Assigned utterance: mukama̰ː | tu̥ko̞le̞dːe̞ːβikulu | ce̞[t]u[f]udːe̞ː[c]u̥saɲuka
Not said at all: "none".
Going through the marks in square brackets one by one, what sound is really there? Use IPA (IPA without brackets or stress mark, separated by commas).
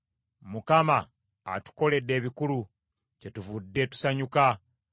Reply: t, v, t